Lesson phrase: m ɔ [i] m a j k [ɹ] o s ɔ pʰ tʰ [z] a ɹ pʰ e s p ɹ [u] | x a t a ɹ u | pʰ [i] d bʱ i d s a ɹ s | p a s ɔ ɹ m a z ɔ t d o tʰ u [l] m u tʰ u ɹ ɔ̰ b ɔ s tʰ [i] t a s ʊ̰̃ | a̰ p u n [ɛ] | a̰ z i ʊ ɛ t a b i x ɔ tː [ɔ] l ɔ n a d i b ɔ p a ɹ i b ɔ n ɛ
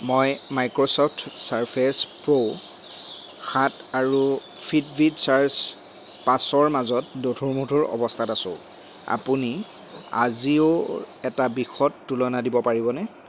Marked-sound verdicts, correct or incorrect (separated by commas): incorrect, correct, incorrect, incorrect, correct, incorrect, incorrect, incorrect, incorrect